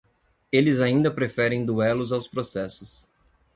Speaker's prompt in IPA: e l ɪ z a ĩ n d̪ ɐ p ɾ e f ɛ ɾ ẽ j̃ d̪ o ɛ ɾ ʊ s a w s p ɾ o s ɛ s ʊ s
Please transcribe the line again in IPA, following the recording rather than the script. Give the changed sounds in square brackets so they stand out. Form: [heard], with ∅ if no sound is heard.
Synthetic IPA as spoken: e l ɪ z a ĩ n d̪ ɐ p ɾ e f ɛ ɾ ẽ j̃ d̪ [u] ɛ [l] ʊ [z] a w s p ɾ o s ɛ s ʊ s